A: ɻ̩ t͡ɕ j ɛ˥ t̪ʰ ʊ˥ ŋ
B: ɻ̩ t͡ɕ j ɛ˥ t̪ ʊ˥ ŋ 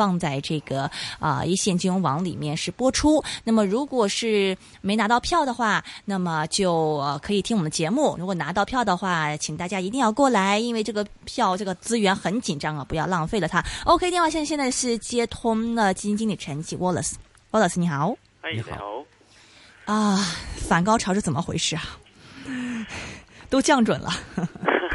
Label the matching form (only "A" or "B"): A